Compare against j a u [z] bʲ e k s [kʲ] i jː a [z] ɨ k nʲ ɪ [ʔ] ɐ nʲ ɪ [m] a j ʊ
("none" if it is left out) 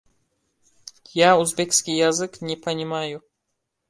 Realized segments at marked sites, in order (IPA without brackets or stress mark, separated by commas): z, kʲ, z, p, m